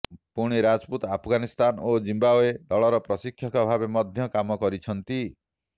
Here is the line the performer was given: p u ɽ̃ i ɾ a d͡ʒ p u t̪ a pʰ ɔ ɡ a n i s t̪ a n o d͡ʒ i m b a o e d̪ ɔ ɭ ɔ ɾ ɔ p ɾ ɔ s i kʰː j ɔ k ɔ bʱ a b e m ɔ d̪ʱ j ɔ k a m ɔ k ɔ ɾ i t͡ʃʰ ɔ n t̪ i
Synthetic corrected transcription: p u ɽ̃ i ɾ a d͡ʒ p u t̪ a pʰ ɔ ɡ a n i s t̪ a n o d͡ʒ i m b a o e d̪ ɔ ɭ ɔ ɾ ɔ p ɾ ɔ s i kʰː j ɔ k ɔ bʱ a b e m ɔ d̪ʱ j ɔ k a m ɔ k ɔ ɾ i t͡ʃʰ ɔ n t̪ i